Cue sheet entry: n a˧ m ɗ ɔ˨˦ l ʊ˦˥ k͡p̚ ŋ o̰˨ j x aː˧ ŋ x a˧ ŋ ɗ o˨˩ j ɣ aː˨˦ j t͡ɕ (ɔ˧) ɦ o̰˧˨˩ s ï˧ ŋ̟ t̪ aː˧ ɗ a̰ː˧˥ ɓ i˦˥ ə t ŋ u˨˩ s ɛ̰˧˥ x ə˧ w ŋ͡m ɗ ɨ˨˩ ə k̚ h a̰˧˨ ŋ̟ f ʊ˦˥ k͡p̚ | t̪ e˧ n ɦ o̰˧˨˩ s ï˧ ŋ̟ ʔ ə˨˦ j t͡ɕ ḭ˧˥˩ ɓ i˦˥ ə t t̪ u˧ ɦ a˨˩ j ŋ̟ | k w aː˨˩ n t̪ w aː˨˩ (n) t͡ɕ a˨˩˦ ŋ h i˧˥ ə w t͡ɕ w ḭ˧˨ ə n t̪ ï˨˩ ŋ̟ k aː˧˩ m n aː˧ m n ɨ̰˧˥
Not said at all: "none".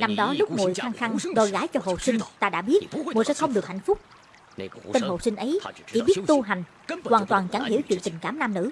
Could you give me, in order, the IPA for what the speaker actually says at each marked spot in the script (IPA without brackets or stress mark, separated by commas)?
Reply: ɔ˧, n